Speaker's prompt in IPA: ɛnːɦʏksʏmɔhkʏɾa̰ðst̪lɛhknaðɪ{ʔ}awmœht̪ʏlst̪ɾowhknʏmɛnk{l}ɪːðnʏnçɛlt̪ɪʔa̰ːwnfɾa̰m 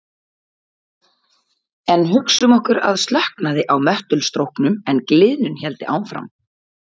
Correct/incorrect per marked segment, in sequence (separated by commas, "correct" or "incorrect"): correct, correct